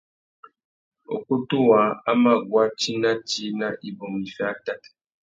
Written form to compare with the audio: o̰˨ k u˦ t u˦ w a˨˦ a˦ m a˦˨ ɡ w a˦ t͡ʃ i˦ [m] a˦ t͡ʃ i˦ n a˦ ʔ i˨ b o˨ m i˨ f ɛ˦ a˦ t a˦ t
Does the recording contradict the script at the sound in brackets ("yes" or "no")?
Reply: yes